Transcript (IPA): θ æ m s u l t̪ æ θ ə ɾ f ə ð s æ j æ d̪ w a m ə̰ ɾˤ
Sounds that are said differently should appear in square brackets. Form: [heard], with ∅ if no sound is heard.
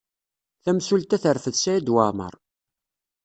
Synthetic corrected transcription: θ æ m s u l t̪ æ θ ə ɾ f ə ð s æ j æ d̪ w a m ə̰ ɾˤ